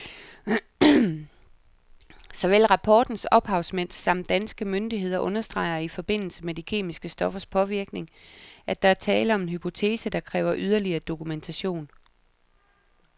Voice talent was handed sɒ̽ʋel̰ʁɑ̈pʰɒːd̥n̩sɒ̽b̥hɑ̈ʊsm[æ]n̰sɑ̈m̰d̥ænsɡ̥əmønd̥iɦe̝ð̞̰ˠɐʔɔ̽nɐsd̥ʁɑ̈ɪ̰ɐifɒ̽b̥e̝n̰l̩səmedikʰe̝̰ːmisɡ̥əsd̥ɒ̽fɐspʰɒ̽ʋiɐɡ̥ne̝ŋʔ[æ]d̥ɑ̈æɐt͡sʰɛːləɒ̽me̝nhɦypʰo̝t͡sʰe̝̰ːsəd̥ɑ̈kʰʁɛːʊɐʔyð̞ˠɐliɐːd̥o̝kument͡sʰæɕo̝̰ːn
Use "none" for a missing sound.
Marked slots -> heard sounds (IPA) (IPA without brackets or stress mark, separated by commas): e, æ